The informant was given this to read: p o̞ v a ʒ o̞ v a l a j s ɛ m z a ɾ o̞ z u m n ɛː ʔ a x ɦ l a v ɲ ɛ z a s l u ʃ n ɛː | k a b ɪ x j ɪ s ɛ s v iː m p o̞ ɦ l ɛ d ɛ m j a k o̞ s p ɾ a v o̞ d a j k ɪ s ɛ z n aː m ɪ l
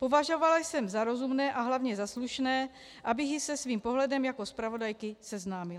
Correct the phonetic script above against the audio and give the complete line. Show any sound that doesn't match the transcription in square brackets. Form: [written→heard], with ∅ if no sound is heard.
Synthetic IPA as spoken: p o̞ v a ʒ o̞ v a l a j s ɛ m z a ɾ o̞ z u m n ɛː ʔ a [x→∅] ɦ l a v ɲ ɛ z a s l u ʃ n ɛː | [k→ʔ] a b ɪ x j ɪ s ɛ s v iː m p o̞ ɦ l ɛ d ɛ m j a k o̞ s p ɾ a v o̞ d a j k ɪ s ɛ z n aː m ɪ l